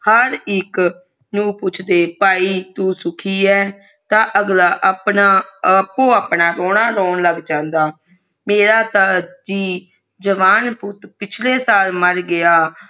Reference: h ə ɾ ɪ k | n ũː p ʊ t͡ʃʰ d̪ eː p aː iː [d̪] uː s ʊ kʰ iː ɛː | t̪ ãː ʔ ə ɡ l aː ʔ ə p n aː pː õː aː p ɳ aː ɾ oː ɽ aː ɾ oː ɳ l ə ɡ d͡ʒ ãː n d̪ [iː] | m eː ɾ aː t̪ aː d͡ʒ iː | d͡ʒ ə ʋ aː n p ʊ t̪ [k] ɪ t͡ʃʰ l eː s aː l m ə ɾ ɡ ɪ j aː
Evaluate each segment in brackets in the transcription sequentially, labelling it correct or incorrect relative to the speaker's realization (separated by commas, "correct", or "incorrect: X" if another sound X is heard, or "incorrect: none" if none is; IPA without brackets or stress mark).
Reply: incorrect: t̪, incorrect: aː, incorrect: p